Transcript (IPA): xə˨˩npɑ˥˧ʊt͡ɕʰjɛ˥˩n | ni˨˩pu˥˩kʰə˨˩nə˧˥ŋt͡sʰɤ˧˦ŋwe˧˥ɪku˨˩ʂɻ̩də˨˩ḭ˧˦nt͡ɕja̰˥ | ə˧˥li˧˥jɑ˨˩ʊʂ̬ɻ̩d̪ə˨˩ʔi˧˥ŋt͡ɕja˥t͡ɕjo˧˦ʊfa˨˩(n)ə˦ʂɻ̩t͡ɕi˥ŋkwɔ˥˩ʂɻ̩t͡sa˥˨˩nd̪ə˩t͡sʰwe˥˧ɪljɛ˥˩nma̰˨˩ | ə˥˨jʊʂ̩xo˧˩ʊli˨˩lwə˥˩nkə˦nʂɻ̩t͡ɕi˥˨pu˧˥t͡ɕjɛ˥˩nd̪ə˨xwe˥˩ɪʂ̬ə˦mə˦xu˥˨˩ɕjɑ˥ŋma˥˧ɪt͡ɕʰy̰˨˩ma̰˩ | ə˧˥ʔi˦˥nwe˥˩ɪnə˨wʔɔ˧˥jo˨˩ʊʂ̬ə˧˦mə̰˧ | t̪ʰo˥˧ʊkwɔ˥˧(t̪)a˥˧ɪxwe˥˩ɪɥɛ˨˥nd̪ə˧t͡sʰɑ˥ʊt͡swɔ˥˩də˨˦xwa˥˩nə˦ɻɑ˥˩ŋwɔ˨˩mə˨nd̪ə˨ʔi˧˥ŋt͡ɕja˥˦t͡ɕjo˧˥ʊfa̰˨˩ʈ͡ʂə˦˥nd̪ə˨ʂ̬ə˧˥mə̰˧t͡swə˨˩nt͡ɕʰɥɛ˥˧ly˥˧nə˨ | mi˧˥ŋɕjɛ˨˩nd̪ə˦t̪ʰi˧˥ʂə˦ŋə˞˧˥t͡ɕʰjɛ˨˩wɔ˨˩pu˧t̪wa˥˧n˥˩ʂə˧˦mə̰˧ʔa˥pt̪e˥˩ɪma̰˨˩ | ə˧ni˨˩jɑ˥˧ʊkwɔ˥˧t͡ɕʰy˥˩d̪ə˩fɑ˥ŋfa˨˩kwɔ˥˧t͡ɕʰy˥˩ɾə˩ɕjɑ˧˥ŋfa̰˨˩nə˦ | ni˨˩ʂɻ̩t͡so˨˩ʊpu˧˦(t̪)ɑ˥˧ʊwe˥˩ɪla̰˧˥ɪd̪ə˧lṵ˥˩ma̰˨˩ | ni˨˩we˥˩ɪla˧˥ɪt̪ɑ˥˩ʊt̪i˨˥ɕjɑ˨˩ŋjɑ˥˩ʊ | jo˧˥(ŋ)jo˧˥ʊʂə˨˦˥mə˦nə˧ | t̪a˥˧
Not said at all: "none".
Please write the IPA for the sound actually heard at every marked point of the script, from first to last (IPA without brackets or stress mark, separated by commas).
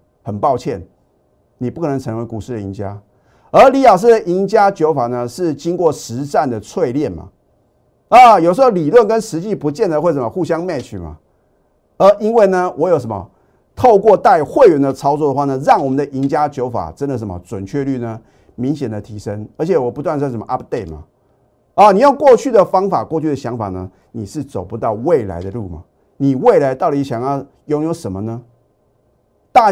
n, t̪, t̪, ŋ